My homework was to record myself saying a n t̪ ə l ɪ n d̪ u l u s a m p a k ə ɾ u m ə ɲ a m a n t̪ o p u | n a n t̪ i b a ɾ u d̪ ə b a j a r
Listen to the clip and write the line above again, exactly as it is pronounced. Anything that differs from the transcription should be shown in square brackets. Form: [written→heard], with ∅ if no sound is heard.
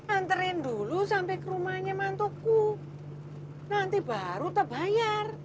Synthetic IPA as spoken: a n t̪ ə [l→ɾ] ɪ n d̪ u l u s a m p [a→ɛ] k ə ɾ u m [ə→a] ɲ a m a n t̪ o [p→k] u | n a n t̪ i b a ɾ u [d̪→t̪] ə b a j a r

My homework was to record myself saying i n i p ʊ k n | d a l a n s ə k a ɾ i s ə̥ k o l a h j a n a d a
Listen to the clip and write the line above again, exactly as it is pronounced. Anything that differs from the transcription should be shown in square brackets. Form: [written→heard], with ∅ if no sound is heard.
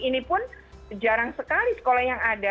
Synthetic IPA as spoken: i n i p ʊ [k→∅] n | [d→d͡ʒ] a [l→ɾ] a [n→ŋ] s ə k a [ɾ→l] i s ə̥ k o l a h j a [n→ŋ] a d a

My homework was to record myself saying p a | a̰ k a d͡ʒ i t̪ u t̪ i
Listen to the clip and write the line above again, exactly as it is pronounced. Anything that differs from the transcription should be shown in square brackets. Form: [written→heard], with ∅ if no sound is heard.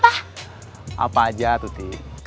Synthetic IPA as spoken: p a | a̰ [k→p] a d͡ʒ [i→a] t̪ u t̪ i

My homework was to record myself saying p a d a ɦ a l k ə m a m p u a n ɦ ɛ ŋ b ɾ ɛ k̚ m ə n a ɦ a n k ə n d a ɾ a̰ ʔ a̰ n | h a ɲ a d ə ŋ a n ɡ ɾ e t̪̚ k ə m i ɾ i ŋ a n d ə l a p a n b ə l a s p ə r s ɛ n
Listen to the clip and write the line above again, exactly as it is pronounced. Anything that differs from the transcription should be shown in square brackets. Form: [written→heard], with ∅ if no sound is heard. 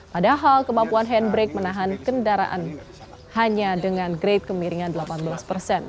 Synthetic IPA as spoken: p a d a ɦ a l k ə m a m p u a n ɦ ɛ [ŋ→n] b ɾ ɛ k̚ m ə n a ɦ a n k ə n d a ɾ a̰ ʔ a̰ n | h a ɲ a d ə ŋ a n ɡ ɾ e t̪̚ k ə m i ɾ i ŋ a n d ə l a p a n b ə l a s p ə r s ɛ n

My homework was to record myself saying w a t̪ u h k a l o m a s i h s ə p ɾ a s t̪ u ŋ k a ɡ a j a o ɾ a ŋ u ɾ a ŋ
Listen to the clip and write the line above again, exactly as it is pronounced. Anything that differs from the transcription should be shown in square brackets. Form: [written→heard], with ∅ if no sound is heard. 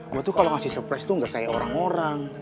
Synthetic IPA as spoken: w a t̪ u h k a l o [m→ŋ] a s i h s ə p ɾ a s t̪ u ŋ [k→ɡ] a [ɡ→k] a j a o ɾ a ŋ [u→o] ɾ a ŋ

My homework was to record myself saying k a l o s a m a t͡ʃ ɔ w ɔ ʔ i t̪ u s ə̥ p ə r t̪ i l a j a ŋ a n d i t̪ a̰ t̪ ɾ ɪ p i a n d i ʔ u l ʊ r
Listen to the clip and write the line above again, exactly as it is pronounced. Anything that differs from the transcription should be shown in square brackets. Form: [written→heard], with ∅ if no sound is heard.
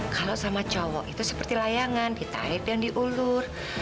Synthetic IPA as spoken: k a l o s a m a t͡ʃ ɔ w ɔ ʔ i t̪ u s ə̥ p ə r t̪ i l a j a ŋ a n d i t̪ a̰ [t̪→∅] ɾ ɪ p [i→j] a [n→ŋ] d i ʔ u l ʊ r

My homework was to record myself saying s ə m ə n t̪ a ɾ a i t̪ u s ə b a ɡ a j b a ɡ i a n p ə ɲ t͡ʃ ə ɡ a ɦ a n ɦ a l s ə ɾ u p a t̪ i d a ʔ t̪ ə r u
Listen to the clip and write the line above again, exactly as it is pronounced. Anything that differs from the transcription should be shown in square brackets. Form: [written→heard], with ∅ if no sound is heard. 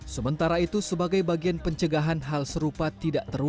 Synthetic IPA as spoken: s ə m ə n t̪ a ɾ a i t̪ u s ə b a ɡ a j b a ɡ i a n p ə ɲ t͡ʃ ə ɡ a ɦ a n ɦ a l s ə ɾ u p a t̪ i d a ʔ t̪ ə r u

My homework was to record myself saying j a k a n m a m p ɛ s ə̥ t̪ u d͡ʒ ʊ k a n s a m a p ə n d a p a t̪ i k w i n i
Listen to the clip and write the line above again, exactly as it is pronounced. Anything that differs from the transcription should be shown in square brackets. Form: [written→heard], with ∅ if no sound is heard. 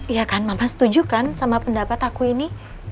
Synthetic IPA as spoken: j a k a n m a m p [ɛ→a] s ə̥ t̪ u d͡ʒ [ʊ→u] k a n s a m a p ə n d a p a t̪ [i→a] k [w→u] i n i

